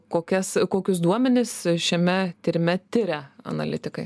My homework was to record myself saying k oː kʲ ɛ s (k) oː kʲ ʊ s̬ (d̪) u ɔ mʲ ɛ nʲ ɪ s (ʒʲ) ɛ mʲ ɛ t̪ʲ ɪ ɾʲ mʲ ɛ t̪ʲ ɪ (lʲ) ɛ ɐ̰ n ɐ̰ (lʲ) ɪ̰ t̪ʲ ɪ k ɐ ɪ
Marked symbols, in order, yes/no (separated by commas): yes, yes, no, no, yes